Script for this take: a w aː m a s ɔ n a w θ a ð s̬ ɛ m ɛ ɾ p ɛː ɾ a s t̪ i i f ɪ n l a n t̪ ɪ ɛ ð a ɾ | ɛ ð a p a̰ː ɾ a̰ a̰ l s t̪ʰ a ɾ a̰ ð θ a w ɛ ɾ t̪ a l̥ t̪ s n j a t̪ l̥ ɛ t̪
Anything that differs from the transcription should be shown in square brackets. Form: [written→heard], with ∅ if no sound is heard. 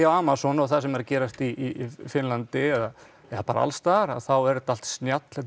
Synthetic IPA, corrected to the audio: a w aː m a s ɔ n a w θ a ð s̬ ɛ m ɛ ɾ [p→c] ɛː ɾ a s t̪ i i f ɪ n l a n t̪ ɪ ɛ ð a [ɾ→∅] | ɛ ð a p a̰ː ɾ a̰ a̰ l s [t̪ʰ→t̪] a ɾ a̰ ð θ a w ɛ ɾ t̪ a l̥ t̪ s n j a t̪ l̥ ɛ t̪